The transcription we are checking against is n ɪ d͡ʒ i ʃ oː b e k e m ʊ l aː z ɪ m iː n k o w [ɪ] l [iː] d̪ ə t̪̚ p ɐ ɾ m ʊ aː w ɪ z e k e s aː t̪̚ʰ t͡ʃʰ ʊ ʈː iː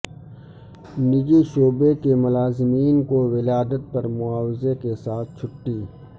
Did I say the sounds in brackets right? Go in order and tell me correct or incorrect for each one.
correct, incorrect

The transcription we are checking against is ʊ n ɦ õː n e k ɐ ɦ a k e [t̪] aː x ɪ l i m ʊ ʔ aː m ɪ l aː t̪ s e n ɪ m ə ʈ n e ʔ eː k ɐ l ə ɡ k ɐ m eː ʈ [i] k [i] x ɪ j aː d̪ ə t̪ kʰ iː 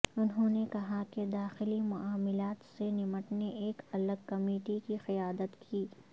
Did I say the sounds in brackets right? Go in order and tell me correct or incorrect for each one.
incorrect, correct, correct

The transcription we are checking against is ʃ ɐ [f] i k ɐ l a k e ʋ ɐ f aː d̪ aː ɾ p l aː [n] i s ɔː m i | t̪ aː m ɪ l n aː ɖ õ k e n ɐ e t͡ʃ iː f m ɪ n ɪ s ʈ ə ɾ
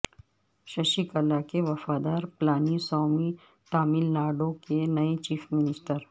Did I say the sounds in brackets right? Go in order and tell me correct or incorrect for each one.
incorrect, correct

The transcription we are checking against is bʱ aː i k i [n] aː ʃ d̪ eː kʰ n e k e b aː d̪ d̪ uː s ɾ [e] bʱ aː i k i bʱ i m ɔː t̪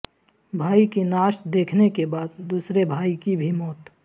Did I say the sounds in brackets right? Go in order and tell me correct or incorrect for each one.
correct, correct

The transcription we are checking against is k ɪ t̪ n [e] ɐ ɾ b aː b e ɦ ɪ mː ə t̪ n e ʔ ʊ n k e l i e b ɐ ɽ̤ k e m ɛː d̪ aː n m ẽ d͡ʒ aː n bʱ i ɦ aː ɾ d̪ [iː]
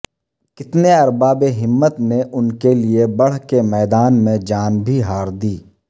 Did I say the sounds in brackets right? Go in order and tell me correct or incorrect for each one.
correct, correct

